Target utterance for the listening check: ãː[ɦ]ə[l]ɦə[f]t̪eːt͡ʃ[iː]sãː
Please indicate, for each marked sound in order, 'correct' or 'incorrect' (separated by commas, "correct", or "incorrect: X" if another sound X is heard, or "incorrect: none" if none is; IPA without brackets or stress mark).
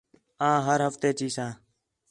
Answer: correct, incorrect: ɾ, correct, correct